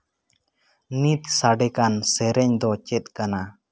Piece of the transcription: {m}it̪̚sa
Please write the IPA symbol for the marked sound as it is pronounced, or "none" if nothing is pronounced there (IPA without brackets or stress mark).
n